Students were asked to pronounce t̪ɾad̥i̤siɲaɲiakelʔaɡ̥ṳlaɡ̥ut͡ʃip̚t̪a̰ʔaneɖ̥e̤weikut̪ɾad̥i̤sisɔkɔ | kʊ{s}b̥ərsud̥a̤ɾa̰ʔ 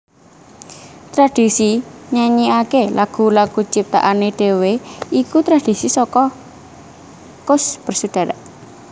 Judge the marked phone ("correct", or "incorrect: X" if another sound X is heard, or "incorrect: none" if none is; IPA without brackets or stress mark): correct